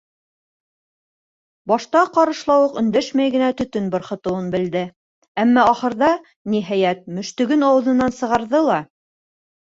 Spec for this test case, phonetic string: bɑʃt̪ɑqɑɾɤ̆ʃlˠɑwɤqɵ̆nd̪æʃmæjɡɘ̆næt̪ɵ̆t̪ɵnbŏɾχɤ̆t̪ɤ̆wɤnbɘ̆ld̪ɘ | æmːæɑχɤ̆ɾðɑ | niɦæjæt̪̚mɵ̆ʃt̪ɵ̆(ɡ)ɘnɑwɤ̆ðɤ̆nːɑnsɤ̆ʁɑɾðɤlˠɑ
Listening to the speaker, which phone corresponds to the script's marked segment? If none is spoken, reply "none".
ɡ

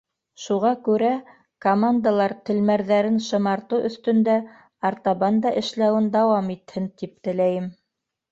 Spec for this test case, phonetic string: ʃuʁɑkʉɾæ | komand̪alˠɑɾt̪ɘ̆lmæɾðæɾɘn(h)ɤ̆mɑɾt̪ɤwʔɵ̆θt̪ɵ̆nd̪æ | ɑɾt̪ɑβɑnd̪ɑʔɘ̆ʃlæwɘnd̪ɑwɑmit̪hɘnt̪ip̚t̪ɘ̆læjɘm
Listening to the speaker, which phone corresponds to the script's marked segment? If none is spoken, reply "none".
ʃ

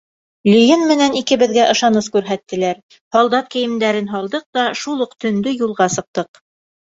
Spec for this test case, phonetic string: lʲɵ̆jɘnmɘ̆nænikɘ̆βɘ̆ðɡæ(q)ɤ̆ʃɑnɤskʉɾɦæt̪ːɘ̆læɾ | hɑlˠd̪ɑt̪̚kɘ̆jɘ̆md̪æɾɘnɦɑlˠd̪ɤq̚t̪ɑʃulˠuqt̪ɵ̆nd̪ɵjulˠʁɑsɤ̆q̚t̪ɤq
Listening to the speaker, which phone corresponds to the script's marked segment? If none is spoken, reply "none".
ʔ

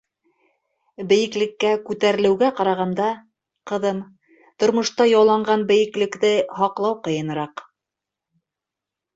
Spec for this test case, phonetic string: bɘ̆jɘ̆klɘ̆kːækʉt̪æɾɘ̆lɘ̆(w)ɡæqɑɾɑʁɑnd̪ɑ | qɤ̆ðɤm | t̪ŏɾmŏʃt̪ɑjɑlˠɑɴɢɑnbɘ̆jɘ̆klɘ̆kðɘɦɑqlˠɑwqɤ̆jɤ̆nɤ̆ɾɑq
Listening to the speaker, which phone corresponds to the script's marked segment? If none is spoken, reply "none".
w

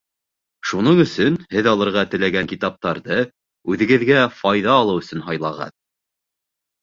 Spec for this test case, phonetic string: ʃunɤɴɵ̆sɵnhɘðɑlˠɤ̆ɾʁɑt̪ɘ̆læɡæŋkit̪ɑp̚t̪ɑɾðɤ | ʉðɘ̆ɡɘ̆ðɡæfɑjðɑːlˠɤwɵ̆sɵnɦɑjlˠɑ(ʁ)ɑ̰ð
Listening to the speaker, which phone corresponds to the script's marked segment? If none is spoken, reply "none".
ʁ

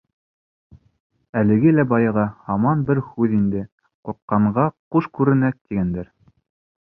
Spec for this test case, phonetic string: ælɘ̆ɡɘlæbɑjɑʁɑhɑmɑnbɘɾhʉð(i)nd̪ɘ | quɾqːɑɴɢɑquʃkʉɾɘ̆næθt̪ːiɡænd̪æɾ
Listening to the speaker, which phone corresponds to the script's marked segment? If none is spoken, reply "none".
i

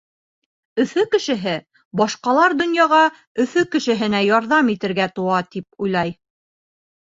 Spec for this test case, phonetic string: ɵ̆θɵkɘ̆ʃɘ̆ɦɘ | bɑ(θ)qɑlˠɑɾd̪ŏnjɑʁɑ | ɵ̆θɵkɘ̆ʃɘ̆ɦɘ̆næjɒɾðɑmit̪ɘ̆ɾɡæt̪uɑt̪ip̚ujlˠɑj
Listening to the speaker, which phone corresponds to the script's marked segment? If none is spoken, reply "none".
ʃ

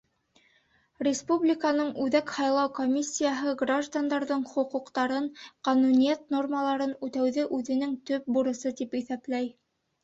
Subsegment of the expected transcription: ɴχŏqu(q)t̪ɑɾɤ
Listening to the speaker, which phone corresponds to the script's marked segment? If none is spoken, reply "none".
q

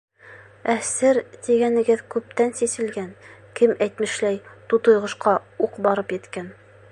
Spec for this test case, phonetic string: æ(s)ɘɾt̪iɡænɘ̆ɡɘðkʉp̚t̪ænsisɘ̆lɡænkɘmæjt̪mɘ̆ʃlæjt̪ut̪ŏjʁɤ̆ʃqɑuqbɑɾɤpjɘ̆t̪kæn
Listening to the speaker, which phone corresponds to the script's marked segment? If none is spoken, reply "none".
s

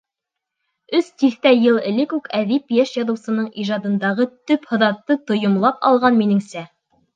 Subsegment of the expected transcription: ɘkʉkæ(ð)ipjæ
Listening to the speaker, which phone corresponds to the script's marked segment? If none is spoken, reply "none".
ð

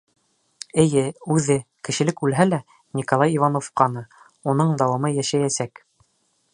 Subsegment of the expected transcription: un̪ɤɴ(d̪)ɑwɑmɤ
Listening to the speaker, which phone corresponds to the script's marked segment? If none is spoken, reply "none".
d̪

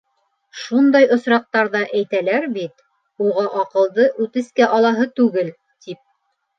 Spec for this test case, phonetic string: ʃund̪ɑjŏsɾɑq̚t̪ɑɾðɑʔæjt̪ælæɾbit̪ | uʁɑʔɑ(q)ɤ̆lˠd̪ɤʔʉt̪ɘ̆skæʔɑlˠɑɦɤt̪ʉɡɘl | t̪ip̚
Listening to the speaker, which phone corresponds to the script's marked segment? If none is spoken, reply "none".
q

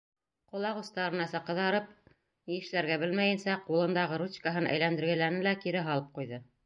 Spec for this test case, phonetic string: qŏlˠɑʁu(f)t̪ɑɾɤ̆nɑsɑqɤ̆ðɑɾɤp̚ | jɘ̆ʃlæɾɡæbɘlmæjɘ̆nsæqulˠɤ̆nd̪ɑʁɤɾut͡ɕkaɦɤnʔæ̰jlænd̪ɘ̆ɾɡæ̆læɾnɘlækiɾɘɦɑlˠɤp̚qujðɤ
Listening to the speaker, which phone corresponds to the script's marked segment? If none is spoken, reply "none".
s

